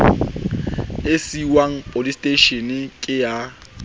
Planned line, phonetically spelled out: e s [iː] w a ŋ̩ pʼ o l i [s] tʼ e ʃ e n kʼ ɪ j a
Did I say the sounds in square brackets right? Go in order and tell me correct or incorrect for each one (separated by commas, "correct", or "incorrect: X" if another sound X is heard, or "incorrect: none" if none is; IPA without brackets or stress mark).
incorrect: i, correct